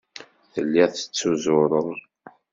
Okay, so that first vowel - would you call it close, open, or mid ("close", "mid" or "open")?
mid